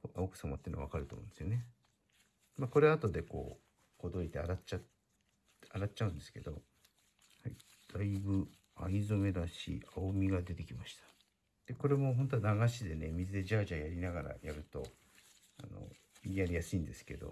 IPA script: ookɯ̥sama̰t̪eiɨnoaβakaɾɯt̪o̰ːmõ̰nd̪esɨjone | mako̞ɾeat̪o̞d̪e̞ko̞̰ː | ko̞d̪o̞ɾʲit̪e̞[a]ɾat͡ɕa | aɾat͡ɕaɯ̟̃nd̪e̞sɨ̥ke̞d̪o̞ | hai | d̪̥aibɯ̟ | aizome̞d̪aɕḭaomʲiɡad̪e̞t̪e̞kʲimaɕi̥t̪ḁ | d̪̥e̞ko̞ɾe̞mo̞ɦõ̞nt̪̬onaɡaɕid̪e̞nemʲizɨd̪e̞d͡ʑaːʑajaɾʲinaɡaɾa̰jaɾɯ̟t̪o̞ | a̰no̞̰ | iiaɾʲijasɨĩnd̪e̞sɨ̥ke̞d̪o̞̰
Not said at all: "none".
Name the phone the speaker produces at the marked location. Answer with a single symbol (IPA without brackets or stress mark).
a